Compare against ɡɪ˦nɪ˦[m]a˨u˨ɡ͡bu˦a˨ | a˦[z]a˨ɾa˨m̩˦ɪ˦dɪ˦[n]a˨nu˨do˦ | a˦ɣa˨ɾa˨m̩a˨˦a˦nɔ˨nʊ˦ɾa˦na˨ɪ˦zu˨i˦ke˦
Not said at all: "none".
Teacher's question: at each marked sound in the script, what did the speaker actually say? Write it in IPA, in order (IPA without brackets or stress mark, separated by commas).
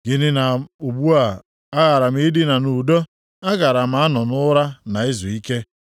n, ɣ, n